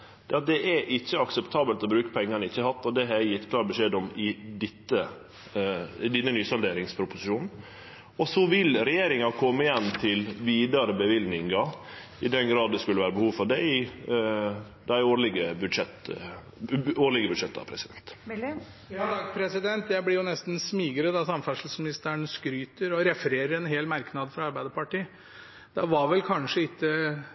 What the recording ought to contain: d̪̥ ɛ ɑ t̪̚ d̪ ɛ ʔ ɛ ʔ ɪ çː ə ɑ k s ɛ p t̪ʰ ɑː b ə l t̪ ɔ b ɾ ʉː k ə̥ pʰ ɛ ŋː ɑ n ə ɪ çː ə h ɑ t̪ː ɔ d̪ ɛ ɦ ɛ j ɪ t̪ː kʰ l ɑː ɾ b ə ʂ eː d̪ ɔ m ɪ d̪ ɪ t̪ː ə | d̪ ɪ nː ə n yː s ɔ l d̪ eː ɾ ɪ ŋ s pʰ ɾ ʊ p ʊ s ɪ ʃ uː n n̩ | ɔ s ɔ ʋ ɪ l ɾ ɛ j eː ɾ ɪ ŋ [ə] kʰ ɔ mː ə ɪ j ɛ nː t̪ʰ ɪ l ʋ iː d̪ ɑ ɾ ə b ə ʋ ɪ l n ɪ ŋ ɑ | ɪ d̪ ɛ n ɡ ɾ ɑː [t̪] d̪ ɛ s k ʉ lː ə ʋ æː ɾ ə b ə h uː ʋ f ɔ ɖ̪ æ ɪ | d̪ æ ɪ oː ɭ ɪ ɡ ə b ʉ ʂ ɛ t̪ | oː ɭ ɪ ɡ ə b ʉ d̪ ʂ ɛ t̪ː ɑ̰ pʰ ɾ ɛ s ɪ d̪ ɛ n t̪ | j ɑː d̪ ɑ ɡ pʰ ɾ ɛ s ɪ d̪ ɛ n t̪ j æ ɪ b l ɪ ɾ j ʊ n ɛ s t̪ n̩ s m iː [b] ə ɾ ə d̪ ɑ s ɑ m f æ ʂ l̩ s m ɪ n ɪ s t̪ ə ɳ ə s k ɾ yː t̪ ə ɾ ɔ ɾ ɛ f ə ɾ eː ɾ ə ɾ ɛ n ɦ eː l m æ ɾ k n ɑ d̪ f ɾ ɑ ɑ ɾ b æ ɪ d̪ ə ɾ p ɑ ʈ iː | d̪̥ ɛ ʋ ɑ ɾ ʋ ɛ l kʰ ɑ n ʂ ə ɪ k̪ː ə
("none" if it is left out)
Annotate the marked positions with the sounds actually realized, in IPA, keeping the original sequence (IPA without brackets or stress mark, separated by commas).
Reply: ɑ, d̪, ɡ